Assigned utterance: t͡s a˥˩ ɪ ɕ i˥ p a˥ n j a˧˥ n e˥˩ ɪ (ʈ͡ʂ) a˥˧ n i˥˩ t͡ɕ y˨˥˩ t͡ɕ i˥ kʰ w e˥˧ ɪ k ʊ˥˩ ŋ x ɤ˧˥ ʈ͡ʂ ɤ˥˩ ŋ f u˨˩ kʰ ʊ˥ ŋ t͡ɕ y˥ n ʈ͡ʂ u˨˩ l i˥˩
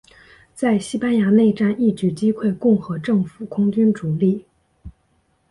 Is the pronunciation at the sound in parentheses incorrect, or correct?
correct